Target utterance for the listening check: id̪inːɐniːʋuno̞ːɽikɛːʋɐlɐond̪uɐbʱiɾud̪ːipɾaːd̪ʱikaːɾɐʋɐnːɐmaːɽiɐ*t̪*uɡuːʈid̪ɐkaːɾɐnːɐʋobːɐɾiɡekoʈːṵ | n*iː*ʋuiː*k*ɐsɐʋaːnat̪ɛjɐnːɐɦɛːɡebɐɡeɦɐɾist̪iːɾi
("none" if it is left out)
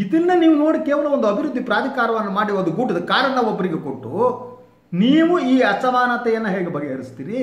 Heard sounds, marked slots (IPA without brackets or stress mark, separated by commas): d̪, iː, none